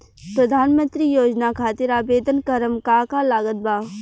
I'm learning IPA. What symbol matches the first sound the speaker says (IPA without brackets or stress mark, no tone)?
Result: p